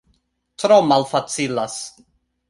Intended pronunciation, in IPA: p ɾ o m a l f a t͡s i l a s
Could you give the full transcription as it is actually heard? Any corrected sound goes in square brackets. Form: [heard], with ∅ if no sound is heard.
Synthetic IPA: [t] ɾ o m a l f a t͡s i l a s